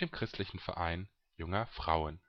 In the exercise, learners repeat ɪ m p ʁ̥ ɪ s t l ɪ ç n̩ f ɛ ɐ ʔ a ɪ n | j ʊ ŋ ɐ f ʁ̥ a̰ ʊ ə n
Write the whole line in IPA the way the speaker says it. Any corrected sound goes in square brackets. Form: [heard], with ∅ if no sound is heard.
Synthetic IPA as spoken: ɪ m [k] ʁ̥ ɪ s t l ɪ ç n̩ f ɛ ɐ ʔ a ɪ n | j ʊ ŋ ɐ f ʁ̥ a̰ ʊ ə n